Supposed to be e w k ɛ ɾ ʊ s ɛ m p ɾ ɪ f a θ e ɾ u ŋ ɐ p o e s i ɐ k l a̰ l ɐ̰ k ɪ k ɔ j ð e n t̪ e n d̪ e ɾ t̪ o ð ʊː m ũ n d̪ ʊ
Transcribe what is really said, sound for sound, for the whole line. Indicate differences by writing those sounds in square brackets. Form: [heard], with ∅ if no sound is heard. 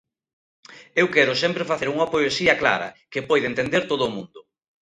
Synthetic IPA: e w k ɛ ɾ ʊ s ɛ m p ɾ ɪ f a θ e ɾ u ŋ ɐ p o e s i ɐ k l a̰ [ɾ] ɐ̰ k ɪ [p] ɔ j ð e n t̪ e n d̪ e ɾ t̪ o ð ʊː m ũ n d̪ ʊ